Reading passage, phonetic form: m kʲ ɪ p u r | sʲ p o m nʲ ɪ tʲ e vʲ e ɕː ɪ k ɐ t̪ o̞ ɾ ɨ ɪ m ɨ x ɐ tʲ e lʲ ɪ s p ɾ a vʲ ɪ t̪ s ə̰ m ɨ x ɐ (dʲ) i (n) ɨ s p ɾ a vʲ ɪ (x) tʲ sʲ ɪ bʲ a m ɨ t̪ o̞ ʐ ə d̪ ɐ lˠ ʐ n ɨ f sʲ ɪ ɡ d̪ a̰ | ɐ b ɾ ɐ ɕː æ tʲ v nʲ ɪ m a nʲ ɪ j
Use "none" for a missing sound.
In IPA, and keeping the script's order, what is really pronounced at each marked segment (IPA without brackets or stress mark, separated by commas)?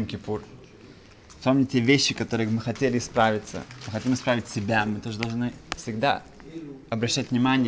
tʲ, m, none